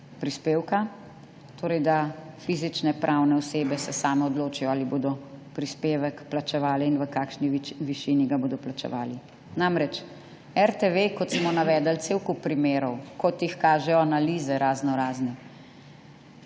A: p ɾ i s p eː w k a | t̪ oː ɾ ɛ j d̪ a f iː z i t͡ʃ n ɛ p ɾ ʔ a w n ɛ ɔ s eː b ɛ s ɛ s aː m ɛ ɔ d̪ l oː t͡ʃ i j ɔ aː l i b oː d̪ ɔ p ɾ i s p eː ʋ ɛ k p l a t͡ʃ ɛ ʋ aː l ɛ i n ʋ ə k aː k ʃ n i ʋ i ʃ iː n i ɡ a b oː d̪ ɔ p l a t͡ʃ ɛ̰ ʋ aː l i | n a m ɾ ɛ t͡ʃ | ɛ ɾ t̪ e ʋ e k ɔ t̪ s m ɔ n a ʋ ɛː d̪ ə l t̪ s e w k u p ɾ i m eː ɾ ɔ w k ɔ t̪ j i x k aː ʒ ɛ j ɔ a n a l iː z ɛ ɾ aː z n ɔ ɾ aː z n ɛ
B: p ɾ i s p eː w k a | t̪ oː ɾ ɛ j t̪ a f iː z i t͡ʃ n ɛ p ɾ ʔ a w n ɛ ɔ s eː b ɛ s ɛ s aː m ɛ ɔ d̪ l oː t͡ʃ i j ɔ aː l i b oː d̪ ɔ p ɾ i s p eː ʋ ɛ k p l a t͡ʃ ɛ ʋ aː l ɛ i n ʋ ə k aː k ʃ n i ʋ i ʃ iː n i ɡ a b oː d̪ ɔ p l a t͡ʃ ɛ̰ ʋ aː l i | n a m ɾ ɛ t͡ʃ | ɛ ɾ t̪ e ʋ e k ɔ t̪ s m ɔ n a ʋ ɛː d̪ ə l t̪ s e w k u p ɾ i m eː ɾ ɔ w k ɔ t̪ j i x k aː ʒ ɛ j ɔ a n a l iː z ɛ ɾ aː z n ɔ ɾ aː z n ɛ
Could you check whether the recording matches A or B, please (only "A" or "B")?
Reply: A